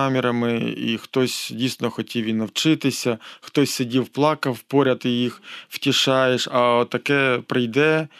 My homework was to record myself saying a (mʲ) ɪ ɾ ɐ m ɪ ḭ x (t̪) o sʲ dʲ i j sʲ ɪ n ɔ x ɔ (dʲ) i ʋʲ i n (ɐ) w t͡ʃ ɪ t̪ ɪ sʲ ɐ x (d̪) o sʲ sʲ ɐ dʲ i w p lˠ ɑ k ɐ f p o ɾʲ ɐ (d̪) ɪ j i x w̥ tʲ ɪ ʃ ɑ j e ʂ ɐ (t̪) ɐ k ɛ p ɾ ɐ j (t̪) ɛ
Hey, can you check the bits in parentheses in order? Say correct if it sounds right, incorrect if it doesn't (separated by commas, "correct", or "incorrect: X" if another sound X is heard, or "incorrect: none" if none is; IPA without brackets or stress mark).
correct, correct, incorrect: tʲ, correct, incorrect: t̪, incorrect: t̪, correct, incorrect: d̪